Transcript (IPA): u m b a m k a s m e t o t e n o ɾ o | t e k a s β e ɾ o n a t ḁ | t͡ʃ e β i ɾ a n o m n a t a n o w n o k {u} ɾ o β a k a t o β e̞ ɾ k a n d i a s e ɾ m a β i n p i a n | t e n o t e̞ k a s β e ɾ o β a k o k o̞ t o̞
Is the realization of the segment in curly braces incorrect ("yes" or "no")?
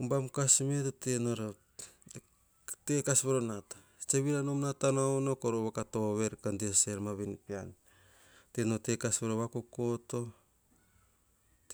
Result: yes